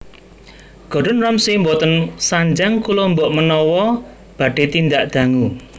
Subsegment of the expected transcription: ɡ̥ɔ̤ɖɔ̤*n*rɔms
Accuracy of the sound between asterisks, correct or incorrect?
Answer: correct